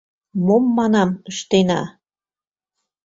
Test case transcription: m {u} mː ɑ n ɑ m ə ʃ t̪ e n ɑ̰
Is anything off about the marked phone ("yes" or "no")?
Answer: yes